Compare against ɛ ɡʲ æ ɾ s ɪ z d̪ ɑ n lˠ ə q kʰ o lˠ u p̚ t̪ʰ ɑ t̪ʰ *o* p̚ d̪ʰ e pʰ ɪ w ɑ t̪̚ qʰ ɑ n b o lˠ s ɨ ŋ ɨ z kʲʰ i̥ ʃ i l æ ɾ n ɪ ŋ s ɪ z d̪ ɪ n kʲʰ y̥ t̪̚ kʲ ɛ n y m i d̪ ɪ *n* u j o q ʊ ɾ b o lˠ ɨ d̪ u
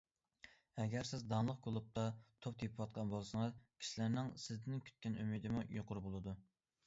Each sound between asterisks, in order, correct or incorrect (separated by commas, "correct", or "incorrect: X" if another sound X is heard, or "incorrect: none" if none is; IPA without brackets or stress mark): correct, incorrect: m